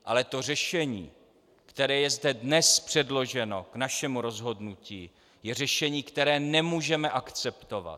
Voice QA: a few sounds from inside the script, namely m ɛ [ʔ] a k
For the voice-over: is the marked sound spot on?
yes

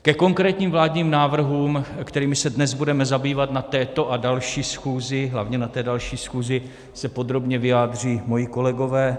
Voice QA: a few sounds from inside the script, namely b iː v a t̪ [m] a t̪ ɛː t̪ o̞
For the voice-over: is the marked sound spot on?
no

